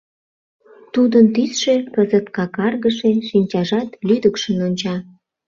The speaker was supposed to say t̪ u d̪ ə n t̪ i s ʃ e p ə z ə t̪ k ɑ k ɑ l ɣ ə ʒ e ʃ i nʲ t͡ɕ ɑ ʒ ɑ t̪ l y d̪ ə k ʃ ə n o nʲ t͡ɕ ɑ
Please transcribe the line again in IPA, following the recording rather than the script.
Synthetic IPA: t̪ u d̪ ə n t̪ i s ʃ e p ə z ə t̪ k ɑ k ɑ r ɣ ə ʃ e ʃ i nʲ t͡ɕ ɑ ʒ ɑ t̪ l y d̪ ə k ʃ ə n o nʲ t͡ɕ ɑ